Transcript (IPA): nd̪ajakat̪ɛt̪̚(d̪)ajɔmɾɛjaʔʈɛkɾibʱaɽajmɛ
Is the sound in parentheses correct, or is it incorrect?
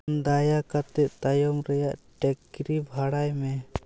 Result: incorrect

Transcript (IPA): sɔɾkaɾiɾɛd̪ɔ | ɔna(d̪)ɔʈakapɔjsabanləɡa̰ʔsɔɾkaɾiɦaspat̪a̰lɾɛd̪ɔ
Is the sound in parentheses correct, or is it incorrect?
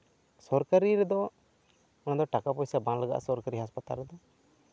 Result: correct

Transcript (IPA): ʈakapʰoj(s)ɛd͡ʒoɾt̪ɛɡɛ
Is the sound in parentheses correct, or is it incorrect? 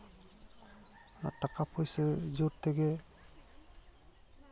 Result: correct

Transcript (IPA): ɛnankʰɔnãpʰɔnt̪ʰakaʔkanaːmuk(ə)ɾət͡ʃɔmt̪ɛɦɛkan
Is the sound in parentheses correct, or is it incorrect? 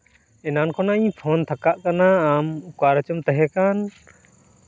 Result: incorrect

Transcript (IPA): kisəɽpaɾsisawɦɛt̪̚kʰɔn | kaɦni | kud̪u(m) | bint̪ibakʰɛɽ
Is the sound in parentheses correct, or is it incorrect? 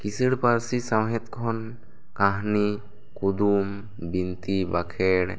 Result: correct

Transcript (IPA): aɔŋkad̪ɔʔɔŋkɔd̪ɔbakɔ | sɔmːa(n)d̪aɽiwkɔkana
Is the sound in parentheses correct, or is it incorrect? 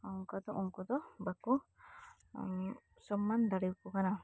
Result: correct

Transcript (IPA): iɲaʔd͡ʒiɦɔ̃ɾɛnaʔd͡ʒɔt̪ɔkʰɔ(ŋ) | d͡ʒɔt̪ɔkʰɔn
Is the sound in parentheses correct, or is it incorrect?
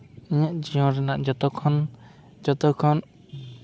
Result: incorrect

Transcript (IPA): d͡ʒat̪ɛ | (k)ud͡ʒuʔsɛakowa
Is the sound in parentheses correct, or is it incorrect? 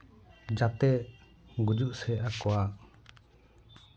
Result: incorrect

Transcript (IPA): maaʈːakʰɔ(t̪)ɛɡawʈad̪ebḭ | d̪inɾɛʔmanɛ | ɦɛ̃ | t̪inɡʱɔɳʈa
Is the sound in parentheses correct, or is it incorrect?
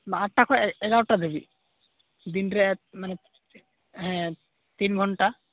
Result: incorrect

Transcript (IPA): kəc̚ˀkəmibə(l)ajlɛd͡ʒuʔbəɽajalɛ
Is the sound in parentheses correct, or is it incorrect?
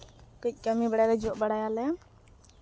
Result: incorrect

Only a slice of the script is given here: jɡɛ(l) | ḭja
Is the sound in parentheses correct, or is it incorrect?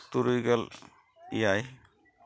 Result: correct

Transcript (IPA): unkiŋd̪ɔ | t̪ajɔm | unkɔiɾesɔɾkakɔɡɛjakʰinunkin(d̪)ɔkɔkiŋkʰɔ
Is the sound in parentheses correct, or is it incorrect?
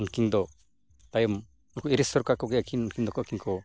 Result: correct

